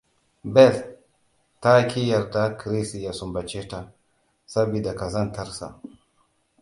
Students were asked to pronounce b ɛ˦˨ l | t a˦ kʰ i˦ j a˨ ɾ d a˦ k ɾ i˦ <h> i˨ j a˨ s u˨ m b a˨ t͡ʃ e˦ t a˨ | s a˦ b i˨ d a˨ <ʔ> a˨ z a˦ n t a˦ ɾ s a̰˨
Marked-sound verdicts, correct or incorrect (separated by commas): incorrect, incorrect